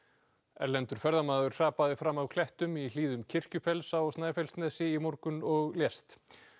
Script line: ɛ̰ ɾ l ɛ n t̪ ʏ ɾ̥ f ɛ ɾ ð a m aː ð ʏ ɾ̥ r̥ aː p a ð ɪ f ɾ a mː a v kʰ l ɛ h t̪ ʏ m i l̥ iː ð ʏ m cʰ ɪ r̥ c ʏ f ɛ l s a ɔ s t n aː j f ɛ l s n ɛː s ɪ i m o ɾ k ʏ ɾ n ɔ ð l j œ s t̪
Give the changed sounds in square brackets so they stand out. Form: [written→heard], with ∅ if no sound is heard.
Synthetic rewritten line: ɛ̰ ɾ l ɛ n t̪ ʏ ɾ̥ f ɛ ɾ ð a m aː ð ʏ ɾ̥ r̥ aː p a ð ɪ f ɾ a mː a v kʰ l ɛ h t̪ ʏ m i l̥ iː ð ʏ m cʰ ɪ r̥ c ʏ f ɛ l s a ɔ s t n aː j f ɛ l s n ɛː s ɪ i m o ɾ k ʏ [ɾ→∅] n ɔ [ð→ɣ] l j [œ→ɛ] s t̪